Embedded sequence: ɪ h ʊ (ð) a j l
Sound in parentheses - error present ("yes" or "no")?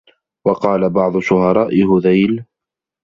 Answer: no